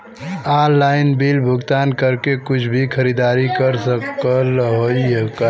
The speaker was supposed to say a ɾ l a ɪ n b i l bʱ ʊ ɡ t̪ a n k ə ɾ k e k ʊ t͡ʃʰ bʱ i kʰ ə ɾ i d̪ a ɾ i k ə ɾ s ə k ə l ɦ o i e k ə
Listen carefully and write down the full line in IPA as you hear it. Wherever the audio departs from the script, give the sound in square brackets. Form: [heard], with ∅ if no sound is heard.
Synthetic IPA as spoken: a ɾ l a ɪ n b i l bʱ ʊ ɡ t̪ a n k ə ɾ k e k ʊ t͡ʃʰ bʱ i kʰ ə ɾ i d̪ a ɾ i k ə ɾ s ə k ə l ɦ o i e k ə

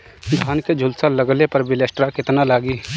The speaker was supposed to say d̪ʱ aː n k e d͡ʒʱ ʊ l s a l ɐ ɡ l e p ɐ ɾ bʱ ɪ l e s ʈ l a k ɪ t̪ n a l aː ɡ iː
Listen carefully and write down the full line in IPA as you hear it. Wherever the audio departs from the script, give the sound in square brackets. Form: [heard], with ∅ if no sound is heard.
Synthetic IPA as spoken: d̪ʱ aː n k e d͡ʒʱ ʊ l s a l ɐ ɡ l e p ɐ ɾ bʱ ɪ l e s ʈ [ɾ] a k ɪ t̪ n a l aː ɡ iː

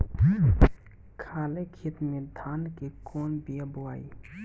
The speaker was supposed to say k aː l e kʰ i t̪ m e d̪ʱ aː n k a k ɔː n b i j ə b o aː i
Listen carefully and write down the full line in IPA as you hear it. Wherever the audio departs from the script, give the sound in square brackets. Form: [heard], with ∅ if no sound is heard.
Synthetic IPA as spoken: [kʰ] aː l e kʰ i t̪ m e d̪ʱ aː n k [e] k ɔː n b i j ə b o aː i

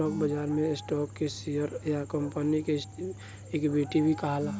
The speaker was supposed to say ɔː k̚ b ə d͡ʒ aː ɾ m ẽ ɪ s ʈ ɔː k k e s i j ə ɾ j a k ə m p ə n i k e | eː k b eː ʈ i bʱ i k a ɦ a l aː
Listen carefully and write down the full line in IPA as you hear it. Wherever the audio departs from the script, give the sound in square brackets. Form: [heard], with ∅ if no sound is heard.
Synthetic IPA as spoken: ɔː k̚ b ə d͡ʒ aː ɾ m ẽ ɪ s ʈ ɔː k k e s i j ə ɾ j a k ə m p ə n i k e | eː k b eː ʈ i bʱ i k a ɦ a l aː

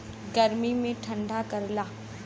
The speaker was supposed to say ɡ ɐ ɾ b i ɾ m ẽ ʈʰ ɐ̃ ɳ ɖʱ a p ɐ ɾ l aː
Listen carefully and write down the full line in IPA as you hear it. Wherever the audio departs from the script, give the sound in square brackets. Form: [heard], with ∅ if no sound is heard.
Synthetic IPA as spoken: ɡ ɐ ɾ [m] i [∅] m ẽ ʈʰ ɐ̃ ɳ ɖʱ a [k] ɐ ɾ l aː

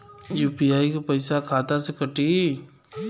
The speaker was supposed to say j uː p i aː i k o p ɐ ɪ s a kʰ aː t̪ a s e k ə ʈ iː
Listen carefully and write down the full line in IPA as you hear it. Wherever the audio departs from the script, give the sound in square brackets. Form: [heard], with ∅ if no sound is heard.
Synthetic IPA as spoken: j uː p i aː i k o p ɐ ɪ s a kʰ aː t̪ a s e k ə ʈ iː

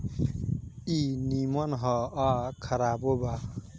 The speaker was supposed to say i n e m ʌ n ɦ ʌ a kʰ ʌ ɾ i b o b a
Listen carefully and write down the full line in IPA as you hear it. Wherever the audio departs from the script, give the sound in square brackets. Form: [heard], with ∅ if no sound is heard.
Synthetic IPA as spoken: i n [i] m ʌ n ɦ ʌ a kʰ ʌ ɾ [a] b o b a

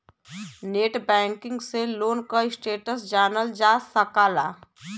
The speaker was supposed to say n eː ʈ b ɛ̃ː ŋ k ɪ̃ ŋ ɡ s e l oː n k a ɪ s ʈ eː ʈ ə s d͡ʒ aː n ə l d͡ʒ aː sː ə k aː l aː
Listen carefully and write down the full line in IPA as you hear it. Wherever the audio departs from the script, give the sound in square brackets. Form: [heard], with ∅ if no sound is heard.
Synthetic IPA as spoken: n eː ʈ b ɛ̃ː ŋ k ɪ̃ ŋ ɡ s e l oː n k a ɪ s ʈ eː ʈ ə s d͡ʒ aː n ə l d͡ʒ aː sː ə k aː l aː

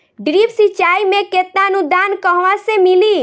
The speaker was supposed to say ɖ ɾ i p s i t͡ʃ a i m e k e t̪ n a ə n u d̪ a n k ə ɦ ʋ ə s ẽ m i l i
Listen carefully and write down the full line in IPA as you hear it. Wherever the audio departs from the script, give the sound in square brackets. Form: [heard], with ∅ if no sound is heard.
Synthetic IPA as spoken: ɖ ɾ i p s i t͡ʃ a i m e k e t̪ n a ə n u d̪ a n k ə ɦ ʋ [a] s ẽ m i l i

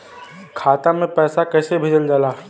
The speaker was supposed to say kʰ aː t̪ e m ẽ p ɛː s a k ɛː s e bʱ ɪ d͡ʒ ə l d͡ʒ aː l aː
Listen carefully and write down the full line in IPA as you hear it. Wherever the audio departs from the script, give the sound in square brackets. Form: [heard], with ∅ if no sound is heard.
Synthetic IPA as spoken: kʰ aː t̪ [a] m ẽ p ɛː s a k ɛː s e bʱ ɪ d͡ʒ ə l d͡ʒ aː l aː

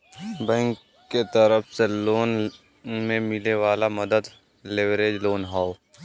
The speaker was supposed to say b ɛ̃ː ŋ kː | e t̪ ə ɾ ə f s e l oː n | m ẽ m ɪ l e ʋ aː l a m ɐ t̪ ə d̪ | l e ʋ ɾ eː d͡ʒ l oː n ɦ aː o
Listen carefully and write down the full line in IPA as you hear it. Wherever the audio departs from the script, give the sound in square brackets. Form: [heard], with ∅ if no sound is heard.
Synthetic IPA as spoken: b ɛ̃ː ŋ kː | e t̪ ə ɾ ə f s e l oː n | m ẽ m ɪ l e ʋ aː l a m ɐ [d̪] ə d̪ | l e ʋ ɾ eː d͡ʒ l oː n ɦ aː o

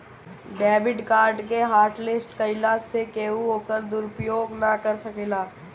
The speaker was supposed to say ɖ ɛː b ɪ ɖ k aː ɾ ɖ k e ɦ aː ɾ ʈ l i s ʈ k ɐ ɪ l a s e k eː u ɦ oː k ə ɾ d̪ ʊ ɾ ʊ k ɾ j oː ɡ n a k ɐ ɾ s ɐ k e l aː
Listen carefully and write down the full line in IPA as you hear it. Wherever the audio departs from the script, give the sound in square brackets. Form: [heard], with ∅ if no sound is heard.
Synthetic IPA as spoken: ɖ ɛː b ɪ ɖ k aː ɾ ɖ k e ɦ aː ɾ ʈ l [ɪ] s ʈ k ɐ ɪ l a s e k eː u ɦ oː k ə ɾ d̪ ʊ ɾ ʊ [p] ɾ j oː ɡ n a k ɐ ɾ s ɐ k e l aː

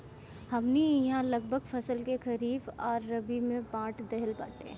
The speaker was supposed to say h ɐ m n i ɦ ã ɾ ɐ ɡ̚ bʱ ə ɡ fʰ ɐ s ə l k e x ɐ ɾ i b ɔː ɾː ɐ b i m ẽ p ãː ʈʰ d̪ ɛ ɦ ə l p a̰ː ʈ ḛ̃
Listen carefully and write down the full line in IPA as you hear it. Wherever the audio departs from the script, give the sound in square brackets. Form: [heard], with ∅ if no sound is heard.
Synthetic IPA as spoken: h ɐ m n i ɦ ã [l] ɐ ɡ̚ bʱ ə ɡ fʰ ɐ s ə l k e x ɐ ɾ [iː] b ɔː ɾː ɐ b i m ẽ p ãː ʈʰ d̪ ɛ ɦ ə l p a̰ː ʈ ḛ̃

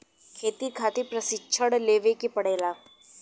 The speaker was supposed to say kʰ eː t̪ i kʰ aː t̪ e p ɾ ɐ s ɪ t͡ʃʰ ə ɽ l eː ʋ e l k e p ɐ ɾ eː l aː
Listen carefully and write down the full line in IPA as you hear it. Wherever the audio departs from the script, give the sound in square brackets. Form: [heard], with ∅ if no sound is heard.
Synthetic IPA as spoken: kʰ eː t̪ i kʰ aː t̪ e p ɾ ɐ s ɪ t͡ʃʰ ə ɽ l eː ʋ e [∅] k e p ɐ [ɽ] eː l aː

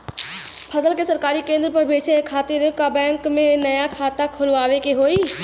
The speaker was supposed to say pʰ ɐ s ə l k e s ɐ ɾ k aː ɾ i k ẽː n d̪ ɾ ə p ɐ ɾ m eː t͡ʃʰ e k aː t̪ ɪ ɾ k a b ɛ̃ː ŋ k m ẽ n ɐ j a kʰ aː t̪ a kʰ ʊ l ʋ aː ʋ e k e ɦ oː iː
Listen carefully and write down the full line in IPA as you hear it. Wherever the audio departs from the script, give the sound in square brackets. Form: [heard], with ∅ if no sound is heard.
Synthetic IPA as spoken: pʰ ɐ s ə l k e s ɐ ɾ k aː ɾ i k ẽː n d̪ ɾ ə p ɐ ɾ [b] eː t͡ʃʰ e [kʰ] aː t̪ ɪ ɾ k a b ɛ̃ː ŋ k m ẽ n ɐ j a kʰ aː t̪ a kʰ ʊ l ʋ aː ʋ e k e ɦ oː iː

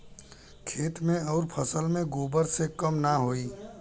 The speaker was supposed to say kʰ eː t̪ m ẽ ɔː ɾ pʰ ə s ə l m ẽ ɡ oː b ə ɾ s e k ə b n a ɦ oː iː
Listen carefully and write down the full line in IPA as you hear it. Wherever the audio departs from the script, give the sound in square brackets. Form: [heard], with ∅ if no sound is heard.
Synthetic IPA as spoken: kʰ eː t̪ m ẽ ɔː ɾ pʰ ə s ə l m ẽ ɡ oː b ə ɾ s e k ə [m] n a ɦ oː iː

